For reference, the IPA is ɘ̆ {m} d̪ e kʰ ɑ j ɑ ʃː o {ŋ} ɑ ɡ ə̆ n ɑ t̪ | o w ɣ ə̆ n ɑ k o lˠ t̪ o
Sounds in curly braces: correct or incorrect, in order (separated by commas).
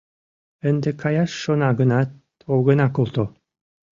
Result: incorrect, incorrect